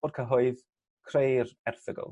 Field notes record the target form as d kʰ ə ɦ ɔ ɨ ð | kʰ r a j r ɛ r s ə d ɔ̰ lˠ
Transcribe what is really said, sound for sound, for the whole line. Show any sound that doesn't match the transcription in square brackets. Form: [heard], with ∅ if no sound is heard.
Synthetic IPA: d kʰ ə ɦ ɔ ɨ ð | kʰ r [e] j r ɛ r [θ] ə [ɡ] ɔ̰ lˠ